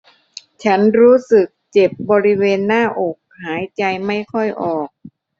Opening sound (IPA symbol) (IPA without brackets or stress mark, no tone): t͡ɕʰ